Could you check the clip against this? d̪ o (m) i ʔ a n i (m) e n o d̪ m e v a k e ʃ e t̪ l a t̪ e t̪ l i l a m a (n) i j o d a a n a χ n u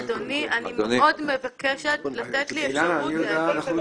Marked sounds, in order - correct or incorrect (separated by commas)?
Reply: incorrect, correct, correct